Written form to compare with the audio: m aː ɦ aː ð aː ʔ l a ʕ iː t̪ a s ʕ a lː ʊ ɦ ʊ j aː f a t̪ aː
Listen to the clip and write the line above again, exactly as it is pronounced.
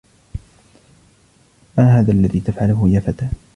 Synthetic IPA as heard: m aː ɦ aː ð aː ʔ lː a ð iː t̪ a f ʕ a l ʊ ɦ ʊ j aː f a t̪ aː